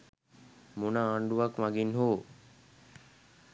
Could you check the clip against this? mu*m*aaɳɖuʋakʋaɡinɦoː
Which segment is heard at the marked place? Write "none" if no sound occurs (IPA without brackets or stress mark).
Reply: n